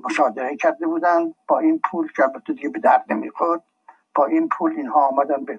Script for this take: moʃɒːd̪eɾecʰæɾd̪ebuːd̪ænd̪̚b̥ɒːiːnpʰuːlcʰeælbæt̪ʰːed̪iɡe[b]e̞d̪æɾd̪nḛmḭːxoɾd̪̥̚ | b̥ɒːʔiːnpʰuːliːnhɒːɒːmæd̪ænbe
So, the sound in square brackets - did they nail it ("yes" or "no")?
yes